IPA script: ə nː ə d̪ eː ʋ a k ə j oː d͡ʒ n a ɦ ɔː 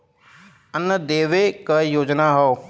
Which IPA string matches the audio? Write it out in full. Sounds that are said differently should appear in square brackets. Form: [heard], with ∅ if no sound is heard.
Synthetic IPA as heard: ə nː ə d̪ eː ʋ [e] k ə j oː d͡ʒ n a ɦ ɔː